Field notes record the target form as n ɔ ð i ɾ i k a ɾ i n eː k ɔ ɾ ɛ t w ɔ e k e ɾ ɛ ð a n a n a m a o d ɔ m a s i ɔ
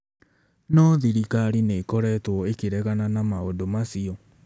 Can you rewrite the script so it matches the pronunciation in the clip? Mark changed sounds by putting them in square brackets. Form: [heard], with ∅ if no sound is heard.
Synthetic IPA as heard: n ɔ ð i ɾ i k a ɾ i n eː k ɔ ɾ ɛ t w ɔ e k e ɾ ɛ [ɣ] a n a n a m a o d [o] m a s i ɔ